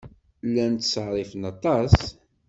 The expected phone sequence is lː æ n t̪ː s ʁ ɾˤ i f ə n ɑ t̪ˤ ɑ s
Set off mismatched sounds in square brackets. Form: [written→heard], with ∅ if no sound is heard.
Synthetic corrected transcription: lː æ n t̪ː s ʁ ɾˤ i f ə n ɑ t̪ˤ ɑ s